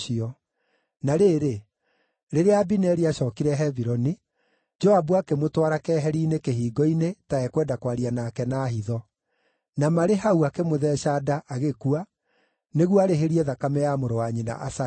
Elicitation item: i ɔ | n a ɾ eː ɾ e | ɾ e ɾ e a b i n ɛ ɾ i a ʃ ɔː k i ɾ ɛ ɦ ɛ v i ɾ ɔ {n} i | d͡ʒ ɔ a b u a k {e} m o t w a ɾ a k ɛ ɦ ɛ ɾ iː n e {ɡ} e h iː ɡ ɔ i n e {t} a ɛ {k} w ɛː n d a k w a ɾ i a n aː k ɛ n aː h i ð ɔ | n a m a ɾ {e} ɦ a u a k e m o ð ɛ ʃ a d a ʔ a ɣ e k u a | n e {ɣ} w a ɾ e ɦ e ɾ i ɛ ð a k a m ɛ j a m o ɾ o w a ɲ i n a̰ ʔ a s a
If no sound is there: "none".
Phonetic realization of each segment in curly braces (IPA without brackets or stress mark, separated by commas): n, e, k, t, k, e, ɣ